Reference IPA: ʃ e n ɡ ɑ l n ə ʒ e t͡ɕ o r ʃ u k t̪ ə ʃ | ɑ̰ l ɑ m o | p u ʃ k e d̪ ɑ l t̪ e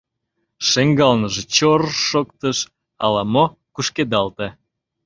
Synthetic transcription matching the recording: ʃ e ŋ ɡ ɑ l n ə ʒ e t͡ɕ o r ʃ o k t̪ ə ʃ | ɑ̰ l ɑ m o | k u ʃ k e d̪ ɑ l t̪ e